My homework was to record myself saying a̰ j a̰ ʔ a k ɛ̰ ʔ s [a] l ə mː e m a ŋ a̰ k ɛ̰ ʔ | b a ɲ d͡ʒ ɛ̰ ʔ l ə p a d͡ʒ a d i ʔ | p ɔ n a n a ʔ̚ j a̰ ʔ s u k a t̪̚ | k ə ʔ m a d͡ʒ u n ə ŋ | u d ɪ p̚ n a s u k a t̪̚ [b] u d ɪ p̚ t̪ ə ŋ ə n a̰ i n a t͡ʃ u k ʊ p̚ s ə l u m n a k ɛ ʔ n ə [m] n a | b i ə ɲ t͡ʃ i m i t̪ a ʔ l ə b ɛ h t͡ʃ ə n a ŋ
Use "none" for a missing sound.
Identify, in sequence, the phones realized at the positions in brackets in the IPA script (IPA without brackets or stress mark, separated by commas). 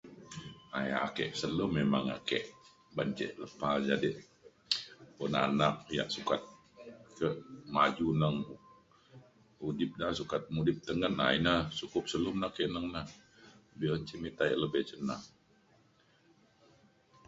ə, m, ŋ